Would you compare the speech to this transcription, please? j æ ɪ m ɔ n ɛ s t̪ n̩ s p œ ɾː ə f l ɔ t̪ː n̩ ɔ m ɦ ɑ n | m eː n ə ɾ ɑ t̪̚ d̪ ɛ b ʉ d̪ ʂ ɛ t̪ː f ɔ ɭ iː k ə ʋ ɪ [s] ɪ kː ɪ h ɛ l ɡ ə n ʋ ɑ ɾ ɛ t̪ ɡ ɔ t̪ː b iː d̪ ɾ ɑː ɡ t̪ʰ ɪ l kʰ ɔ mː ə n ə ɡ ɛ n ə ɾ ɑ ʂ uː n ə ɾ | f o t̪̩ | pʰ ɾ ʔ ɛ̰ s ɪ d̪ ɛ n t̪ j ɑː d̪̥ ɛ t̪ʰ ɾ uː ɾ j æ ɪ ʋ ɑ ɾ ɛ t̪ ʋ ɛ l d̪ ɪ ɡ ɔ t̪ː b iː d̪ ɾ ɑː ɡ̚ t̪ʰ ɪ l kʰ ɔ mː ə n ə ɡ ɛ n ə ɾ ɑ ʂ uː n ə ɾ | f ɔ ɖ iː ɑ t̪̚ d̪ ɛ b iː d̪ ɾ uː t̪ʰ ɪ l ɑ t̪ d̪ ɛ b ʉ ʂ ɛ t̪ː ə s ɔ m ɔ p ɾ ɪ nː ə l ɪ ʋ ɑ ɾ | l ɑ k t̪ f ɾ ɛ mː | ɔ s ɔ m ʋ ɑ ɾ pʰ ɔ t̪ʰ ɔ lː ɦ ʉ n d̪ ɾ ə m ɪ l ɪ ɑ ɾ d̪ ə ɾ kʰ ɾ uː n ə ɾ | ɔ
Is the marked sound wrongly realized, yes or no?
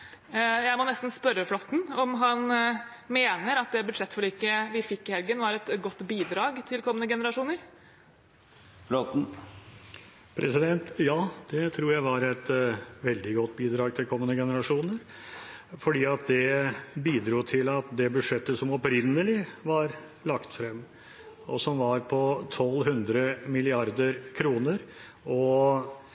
yes